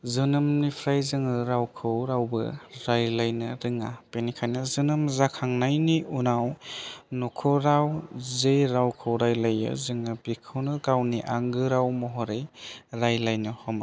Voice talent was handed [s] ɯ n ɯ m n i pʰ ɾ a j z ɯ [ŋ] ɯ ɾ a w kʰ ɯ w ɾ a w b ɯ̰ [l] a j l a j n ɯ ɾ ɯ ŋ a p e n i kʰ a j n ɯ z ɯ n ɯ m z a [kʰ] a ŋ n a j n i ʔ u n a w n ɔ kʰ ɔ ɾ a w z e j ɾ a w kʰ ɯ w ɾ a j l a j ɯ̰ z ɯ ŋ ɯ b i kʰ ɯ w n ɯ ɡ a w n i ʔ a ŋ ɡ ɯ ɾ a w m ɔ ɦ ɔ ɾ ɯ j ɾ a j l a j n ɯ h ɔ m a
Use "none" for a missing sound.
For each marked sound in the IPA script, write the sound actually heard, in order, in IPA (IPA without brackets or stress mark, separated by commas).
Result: z, ŋ, ɾ, kʰ